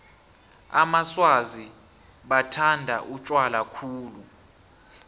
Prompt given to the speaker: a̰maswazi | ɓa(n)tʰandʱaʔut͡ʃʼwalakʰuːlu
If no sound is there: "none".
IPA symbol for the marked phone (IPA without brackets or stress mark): none